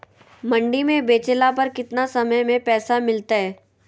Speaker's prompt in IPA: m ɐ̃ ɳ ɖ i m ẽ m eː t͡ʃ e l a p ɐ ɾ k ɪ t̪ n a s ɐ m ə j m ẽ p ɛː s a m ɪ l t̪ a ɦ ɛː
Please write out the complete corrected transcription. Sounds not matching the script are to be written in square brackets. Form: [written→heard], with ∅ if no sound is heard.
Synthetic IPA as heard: m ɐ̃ ɳ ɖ i m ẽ [m→b] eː t͡ʃ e l a p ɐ ɾ k ɪ t̪ n a s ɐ m ə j m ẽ p ɛː s a m ɪ l t̪ a ɦ ɛː